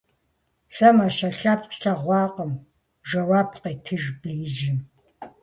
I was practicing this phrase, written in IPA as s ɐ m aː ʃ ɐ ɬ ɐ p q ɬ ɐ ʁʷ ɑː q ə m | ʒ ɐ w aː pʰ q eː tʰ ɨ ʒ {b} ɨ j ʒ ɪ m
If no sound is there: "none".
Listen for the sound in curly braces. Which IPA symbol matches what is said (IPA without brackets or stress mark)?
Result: b